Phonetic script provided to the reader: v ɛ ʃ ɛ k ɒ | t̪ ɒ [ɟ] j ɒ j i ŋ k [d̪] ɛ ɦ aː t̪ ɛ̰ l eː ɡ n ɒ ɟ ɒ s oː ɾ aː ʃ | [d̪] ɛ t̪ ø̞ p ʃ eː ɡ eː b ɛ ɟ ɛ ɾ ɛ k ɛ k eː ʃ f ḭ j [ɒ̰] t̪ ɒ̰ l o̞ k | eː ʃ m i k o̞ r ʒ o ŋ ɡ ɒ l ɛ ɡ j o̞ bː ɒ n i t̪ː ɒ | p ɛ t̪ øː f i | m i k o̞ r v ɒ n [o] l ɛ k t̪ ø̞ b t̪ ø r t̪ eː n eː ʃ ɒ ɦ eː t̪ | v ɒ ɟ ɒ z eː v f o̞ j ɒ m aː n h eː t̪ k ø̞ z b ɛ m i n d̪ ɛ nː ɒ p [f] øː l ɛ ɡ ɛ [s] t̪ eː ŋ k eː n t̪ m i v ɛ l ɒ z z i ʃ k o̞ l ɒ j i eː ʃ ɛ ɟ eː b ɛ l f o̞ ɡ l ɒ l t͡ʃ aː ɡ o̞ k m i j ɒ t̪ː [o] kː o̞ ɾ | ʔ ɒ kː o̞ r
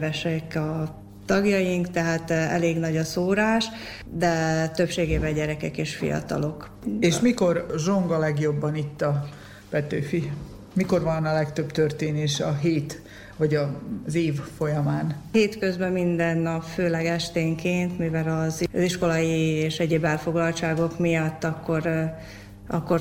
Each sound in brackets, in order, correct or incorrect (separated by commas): incorrect, incorrect, correct, correct, incorrect, correct, incorrect, incorrect